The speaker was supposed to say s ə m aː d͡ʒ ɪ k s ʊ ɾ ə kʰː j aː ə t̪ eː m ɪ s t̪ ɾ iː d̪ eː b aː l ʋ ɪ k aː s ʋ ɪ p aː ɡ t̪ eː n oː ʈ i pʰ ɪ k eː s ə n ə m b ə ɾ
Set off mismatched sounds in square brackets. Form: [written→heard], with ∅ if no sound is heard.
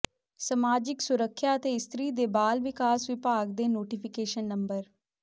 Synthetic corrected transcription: s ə m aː d͡ʒ ɪ k s ʊ ɾ ə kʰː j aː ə t̪ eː [m→∅] ɪ s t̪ ɾ iː d̪ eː b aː l ʋ ɪ k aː s ʋ ɪ p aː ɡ [t̪→d̪] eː n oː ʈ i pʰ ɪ k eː [s→ʃ] ə [n→nː] ə m b ə ɾ